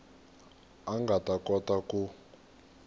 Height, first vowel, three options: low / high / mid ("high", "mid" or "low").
low